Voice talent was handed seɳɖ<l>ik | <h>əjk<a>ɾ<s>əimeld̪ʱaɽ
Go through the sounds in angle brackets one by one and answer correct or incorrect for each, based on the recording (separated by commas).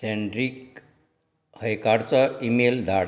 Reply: incorrect, correct, correct, incorrect